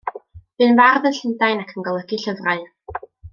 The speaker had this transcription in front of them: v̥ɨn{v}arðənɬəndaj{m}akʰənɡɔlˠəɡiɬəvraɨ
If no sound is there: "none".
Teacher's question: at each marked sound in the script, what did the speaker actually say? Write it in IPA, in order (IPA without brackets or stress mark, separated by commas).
v, n